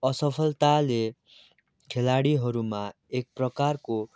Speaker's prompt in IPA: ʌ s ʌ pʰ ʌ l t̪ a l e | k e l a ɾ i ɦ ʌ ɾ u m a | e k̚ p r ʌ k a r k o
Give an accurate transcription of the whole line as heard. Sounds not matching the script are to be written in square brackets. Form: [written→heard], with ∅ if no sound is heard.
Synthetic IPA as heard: ʌ s ʌ pʰ ʌ l t̪ a l e | [k→kʰ] e l a [ɾ→ɽ] i ɦ ʌ ɾ u m a | e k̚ p r ʌ k a r k o